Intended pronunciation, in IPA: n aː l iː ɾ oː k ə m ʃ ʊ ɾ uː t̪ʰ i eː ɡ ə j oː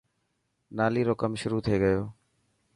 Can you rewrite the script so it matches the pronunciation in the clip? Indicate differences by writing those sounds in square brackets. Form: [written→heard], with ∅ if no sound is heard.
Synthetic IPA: n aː l iː ɾ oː k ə m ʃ ʊ ɾ uː t̪ʰ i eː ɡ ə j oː